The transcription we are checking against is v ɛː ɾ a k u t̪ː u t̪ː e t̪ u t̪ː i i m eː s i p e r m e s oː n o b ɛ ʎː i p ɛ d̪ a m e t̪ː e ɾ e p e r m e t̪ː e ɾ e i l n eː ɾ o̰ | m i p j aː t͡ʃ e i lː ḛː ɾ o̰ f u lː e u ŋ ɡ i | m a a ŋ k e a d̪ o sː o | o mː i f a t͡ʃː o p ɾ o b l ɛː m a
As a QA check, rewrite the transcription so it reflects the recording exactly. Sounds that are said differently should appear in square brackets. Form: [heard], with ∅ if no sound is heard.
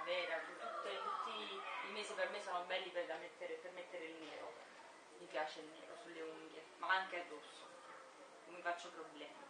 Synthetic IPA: v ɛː ɾ a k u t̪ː u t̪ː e t̪ u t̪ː i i m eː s i p e r m e s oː n o b ɛ [lː] i p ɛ d̪ a m e t̪ː e ɾ e p e r m e t̪ː e ɾ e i l n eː ɾ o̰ | m i p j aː t͡ʃ e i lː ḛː ɾ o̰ [s] u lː e u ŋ ɡ [e] | m a a ŋ k e a d̪ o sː o | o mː i f a t͡ʃː o p ɾ o b l ɛː m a